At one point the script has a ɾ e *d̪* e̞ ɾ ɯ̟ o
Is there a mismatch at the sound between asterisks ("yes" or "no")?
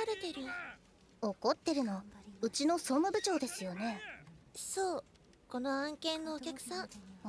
yes